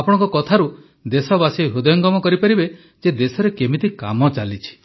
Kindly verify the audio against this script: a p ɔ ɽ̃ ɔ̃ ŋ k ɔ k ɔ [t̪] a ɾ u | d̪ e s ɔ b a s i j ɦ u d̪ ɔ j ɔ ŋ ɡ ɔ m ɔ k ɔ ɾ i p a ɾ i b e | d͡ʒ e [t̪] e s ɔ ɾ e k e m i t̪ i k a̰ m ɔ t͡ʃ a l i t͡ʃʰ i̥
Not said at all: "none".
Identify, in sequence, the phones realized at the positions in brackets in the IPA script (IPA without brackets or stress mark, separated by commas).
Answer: t̪ʰ, d̪